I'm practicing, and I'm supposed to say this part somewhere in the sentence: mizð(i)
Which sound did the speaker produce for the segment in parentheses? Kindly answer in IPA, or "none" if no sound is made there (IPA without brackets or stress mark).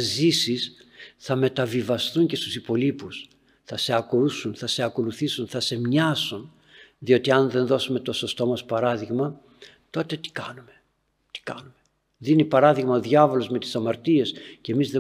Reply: e